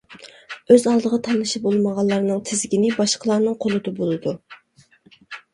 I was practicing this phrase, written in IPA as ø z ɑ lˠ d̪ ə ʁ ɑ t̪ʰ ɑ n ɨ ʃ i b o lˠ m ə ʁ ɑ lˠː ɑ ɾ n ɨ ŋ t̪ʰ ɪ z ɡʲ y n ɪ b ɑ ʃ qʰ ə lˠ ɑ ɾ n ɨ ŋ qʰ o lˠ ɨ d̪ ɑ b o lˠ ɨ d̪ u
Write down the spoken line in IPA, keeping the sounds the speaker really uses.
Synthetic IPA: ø z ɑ lˠ d̪ ə ʁ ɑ t̪ʰ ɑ n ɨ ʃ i b o lˠ m ə ʁ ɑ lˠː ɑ ɾ n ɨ ŋ t̪ʰ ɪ z ɡʲ i n ɪ b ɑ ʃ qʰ ə lˠ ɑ ɾ n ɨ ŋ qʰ o lˠ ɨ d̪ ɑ b o lˠ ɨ d̪ u